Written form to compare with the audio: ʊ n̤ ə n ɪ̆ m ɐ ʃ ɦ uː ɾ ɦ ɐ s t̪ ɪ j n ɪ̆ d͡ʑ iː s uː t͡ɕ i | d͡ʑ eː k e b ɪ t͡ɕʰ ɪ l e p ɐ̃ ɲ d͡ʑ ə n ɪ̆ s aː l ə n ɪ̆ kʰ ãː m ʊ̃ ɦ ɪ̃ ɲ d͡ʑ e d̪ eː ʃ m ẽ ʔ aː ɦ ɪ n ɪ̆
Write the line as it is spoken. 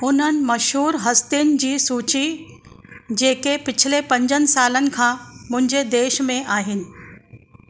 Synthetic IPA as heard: ʊ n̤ ə n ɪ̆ m ɐ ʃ ɦ uː ɾ ɦ ɐ s t̪ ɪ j n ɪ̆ d͡ʑ iː s uː t͡ɕ i | d͡ʑ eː k e p ɪ t͡ɕʰ ɪ l e p ɐ̃ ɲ d͡ʑ ə n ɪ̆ s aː l ə n ɪ̆ kʰ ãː m ʊ̃ ɦ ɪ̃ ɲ d͡ʑ e d̪ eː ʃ m ẽ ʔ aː ɦ ɪ n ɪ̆